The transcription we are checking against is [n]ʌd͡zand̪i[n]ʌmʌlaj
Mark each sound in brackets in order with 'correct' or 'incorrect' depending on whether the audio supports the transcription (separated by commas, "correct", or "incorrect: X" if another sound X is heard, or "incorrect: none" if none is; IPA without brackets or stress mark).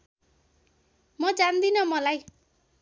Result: incorrect: m, correct